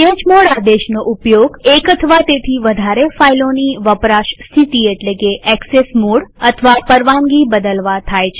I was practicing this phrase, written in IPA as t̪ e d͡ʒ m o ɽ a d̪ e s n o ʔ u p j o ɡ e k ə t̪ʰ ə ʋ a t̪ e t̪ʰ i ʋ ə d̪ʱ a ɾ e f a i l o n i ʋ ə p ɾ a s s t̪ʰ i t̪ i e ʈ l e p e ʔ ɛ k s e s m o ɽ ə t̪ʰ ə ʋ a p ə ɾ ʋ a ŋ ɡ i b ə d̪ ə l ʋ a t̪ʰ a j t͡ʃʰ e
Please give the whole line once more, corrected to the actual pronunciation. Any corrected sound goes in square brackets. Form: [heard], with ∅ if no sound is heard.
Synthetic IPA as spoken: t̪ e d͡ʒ m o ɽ a d̪ e [ʃ] n o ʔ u p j o ɡ e k ə t̪ʰ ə ʋ a t̪ e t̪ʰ i ʋ ə d̪ʱ a ɾ e f a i l o n i ʋ ə p ɾ a [ʃ] s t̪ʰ i t̪ i e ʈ l e [k] e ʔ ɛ k s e s m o ɽ ə t̪ʰ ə ʋ a p ə ɾ ʋ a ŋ ɡ i b ə d̪ ə l ʋ a t̪ʰ a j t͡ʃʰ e